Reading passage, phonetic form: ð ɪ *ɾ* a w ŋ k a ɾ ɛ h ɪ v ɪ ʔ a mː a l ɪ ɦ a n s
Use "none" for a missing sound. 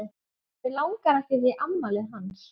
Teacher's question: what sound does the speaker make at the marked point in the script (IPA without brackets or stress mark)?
l